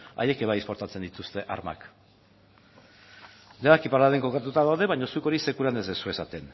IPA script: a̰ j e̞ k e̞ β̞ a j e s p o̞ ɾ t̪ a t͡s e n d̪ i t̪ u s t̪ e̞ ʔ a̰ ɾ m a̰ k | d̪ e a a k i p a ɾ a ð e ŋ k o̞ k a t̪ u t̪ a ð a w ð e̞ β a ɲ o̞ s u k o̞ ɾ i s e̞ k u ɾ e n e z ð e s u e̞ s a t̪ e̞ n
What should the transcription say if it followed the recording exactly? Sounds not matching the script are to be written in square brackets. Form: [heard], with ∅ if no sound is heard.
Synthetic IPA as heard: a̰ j e̞ k e̞ β̞ a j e s p o̞ ɾ t̪ a t͡s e n d̪ i t̪ u s t̪ e̞ ʔ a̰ ɾ m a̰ k | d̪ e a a k i p a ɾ a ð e ŋ k o̞ k a t̪ u t̪ a ð a w ð e̞ β a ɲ o̞ s u k o̞ ɾ i s e̞ k u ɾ [a] n e z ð e s u e̞ s a t̪ e̞ n